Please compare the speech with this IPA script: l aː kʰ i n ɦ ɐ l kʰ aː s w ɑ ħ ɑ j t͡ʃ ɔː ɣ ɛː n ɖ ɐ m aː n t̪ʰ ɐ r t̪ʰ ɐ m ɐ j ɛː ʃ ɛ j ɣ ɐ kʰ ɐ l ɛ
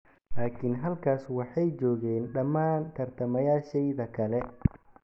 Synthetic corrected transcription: l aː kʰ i n ɦ ɐ l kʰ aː s w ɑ ħ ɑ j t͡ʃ ɔː ɣ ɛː n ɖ ɐ m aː n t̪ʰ ɐ r t̪ʰ ɐ m ɐ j aː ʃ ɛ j ð ɐ kʰ ɐ l ɛ